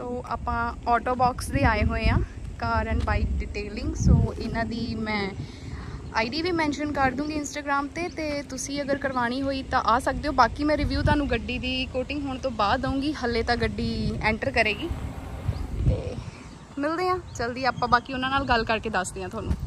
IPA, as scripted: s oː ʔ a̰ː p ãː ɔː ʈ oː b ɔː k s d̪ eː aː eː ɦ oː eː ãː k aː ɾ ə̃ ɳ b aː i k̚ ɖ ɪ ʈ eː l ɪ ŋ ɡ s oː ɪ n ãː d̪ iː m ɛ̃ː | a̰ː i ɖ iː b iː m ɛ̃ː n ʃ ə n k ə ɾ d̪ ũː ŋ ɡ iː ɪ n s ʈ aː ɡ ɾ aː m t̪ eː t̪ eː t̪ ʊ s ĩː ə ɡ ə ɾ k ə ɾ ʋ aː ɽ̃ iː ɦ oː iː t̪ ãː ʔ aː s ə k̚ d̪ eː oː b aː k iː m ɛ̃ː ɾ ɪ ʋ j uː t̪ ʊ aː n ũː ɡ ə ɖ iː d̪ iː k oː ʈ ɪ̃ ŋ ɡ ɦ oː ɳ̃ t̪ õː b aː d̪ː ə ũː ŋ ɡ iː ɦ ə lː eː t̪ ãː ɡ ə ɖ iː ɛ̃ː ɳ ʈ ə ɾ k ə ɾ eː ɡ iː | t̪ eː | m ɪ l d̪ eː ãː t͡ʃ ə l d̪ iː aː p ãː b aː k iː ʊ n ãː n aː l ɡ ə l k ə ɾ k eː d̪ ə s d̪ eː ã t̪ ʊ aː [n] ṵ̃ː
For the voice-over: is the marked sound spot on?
yes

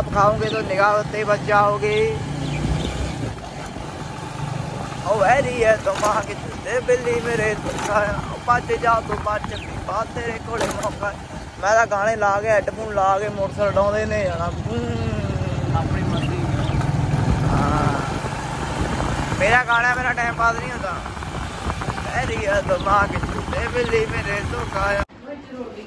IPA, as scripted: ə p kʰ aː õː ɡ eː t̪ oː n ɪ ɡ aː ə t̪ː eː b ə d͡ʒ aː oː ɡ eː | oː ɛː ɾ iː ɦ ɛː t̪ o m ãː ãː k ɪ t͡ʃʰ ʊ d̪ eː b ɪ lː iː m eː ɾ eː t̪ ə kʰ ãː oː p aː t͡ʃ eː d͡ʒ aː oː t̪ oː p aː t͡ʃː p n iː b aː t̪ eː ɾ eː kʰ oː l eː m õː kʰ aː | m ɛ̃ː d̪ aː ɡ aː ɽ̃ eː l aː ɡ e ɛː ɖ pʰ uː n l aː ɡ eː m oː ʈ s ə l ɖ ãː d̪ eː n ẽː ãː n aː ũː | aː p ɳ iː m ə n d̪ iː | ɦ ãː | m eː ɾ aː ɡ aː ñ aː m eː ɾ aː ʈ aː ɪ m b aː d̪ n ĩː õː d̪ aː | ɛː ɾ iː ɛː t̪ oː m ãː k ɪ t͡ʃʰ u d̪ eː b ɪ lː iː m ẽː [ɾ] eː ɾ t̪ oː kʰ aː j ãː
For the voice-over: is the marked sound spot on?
yes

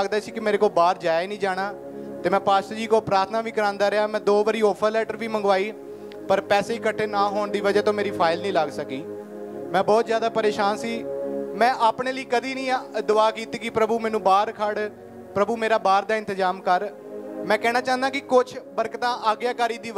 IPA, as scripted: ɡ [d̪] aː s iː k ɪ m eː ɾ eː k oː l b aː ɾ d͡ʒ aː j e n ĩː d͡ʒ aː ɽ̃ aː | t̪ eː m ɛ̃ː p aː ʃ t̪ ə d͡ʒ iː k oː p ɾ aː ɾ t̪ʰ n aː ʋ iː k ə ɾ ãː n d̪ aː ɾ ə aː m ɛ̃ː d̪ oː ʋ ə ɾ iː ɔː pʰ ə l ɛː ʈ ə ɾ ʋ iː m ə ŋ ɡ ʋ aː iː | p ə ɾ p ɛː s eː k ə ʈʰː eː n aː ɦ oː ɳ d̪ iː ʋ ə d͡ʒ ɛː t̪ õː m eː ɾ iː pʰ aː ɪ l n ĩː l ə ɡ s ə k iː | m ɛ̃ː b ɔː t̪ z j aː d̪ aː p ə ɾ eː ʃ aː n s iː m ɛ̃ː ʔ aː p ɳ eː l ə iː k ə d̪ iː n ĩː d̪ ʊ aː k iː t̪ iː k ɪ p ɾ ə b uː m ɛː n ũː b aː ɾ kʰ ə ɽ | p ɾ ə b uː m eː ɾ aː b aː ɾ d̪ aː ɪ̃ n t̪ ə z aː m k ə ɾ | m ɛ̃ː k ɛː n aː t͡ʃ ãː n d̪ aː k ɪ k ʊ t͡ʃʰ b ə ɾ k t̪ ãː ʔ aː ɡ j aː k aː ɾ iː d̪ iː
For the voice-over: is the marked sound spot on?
yes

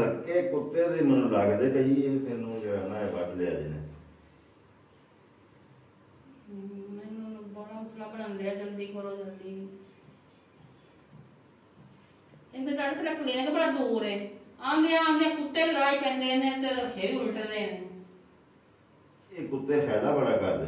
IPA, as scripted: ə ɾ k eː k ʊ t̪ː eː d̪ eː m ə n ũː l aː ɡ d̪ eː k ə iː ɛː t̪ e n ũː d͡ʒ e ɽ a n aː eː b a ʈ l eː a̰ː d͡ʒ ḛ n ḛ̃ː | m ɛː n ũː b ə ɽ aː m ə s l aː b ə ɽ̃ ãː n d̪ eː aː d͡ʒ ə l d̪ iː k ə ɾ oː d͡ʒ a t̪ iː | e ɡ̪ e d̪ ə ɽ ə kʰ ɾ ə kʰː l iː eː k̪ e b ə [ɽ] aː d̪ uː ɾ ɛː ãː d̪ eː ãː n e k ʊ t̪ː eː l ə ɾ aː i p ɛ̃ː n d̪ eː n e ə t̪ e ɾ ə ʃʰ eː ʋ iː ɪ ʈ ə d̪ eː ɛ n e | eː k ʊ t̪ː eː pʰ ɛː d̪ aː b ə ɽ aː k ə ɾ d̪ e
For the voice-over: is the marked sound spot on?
yes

